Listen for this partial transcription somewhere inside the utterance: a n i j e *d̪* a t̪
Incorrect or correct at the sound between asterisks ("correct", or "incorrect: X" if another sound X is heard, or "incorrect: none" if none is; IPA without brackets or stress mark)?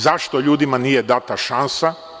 correct